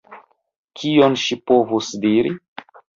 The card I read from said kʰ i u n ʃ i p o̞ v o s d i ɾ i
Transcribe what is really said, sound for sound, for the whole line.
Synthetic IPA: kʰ i o n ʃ i p o̞ v u s d i ɾ i